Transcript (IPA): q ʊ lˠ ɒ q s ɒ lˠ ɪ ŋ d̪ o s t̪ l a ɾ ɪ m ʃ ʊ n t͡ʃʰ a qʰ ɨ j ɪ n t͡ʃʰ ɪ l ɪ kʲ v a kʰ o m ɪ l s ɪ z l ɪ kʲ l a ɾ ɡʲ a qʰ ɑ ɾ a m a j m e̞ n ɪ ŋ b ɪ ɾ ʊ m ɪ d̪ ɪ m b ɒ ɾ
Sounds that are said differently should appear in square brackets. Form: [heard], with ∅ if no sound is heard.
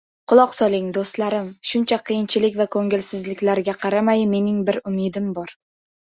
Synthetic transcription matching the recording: q ʊ lˠ ɒ q s ɒ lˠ ɪ ŋ d̪ o s t̪ l a ɾ ɪ m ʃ ʊ n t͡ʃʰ a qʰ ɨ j ɪ n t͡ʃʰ ɪ l ɪ kʲ v a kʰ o [ŋ] ɪ l s ɪ z l ɪ kʲ l a ɾ ɡʲ a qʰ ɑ ɾ a m a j m e̞ n ɪ ŋ b ɪ ɾ ʊ m ɪ d̪ ɪ m b ɒ ɾ